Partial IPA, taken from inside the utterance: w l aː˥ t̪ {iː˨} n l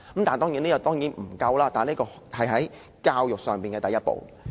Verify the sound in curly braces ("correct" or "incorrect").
incorrect